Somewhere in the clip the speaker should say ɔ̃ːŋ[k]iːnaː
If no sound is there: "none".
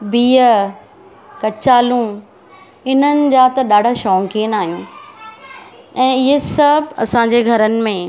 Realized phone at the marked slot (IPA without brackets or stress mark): k